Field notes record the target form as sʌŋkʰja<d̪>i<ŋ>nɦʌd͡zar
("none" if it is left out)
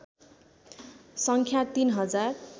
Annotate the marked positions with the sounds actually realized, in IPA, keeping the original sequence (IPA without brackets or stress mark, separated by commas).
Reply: t̪, none